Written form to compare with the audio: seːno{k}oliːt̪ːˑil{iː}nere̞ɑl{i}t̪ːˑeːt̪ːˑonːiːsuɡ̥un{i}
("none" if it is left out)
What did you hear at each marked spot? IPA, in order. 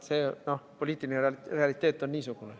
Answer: p, i, i, e

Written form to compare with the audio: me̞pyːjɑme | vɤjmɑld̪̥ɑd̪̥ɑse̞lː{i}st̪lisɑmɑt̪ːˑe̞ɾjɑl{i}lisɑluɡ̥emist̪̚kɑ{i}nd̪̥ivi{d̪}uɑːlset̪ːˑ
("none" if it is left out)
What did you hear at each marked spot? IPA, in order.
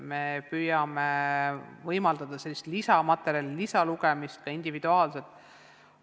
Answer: i, i, i, d̪

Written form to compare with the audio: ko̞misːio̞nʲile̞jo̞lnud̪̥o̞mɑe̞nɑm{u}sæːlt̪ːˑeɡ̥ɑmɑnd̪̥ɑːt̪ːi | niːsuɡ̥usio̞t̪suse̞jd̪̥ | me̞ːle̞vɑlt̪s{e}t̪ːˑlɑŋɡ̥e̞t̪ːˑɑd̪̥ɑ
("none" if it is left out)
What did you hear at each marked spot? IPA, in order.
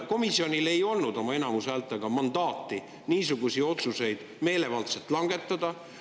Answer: u, e

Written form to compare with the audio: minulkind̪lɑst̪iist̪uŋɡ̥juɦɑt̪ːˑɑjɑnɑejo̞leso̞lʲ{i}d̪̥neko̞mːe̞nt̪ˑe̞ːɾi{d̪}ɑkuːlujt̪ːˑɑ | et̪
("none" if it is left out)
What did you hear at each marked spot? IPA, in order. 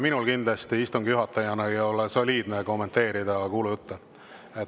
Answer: iː, d̪

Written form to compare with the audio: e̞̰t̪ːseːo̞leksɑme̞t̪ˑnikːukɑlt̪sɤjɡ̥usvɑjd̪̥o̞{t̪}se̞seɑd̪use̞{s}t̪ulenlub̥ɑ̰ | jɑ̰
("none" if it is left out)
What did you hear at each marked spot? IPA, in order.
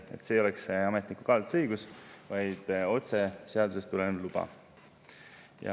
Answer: t̪, s

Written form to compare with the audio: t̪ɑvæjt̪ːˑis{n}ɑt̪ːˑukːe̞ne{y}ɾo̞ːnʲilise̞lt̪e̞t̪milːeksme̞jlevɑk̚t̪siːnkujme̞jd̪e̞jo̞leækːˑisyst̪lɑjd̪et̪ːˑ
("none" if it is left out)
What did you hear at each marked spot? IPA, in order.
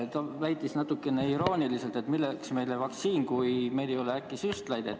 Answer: n, i

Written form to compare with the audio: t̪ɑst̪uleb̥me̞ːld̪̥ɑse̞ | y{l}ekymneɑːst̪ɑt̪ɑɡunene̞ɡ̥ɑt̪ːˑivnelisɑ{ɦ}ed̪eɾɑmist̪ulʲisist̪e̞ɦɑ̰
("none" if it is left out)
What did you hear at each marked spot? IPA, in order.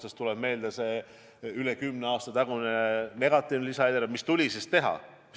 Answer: l, none

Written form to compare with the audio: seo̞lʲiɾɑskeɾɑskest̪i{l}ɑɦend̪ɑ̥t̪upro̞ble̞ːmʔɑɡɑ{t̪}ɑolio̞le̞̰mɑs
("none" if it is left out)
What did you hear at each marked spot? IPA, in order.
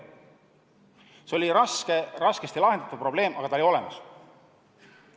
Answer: l, t̪

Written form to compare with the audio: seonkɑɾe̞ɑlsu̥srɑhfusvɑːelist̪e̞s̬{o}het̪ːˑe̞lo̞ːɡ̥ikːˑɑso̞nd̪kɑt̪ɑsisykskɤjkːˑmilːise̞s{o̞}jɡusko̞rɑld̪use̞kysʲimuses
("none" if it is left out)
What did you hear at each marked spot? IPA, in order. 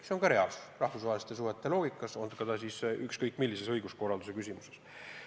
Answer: u, ɤ̞

